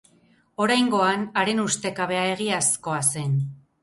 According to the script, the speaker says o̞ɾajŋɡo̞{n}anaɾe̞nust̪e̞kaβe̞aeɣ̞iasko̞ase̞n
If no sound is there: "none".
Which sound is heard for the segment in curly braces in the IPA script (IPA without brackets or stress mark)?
none